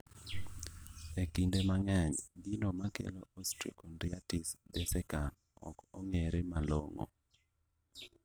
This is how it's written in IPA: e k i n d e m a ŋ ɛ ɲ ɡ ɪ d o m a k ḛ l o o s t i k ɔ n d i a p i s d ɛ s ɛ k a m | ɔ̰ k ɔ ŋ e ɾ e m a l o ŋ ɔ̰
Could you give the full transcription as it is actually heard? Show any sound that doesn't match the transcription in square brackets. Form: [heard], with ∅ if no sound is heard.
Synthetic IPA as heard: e k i n d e m a ŋ ɛ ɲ ɡ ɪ [n] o m a k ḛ l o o s t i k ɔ n d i a [t] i s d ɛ s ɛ k a [n] | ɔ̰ k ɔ ŋ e ɾ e m a l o ŋ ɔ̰